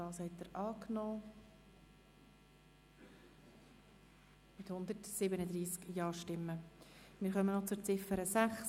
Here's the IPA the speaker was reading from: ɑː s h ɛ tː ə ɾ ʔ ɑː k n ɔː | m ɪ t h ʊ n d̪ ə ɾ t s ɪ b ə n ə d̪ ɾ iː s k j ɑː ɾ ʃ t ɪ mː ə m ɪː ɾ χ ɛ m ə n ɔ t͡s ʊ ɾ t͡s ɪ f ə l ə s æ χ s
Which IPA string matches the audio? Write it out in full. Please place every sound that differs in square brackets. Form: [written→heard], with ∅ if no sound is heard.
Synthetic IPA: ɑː s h ɛ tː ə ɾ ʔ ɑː k n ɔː | m ɪ t h ʊ n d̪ ə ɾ t s ɪ b ə n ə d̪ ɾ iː s k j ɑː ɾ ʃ t ɪ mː ə m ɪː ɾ χ [ɛ→œ] m ə n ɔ t͡s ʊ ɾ t͡s ɪ f ə [l→ɾ] ə s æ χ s